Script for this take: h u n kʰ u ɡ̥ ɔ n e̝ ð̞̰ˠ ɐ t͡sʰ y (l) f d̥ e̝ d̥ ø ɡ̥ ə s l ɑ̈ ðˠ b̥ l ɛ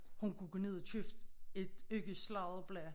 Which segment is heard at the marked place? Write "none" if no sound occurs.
none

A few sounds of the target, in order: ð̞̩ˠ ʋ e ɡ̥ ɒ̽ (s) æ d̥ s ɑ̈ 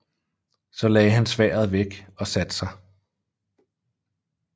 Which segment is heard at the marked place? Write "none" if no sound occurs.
s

